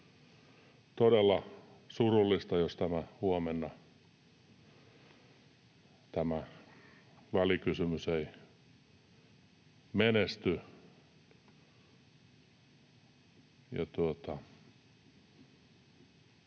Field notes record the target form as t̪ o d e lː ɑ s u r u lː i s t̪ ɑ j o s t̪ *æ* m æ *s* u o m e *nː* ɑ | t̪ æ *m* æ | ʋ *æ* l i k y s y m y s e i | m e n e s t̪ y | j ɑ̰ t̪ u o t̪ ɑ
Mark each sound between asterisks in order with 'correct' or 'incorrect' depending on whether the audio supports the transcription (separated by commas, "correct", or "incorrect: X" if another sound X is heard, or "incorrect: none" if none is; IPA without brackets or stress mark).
correct, incorrect: h, correct, correct, correct